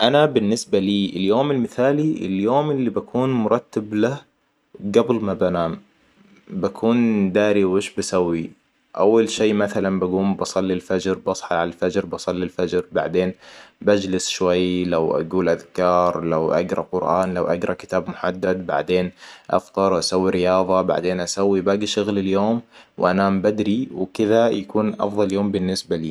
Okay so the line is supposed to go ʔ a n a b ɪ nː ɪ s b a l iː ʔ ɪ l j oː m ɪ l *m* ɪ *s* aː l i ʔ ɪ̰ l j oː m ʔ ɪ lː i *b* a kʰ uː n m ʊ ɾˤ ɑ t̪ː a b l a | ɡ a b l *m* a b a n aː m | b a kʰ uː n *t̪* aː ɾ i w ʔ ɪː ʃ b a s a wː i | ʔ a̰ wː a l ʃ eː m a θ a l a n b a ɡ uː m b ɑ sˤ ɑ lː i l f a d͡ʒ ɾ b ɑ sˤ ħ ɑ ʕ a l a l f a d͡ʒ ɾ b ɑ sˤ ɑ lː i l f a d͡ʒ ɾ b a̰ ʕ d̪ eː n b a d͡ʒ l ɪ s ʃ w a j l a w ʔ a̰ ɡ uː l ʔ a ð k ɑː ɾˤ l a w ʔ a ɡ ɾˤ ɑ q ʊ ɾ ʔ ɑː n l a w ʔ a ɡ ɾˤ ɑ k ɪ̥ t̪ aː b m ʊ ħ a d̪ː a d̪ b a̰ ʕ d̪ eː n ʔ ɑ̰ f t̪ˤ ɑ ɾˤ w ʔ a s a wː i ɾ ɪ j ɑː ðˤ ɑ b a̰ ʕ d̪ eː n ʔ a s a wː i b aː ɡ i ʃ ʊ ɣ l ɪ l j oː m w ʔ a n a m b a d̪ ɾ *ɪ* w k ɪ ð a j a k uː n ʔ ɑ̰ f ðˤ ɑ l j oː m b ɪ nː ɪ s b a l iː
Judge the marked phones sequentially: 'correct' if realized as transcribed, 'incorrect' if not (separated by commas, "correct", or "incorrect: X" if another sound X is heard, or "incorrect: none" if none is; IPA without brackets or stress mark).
correct, incorrect: θ, correct, correct, incorrect: d̪, incorrect: i